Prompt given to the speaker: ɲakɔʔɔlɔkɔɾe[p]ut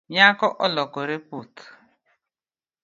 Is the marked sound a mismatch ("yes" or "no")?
no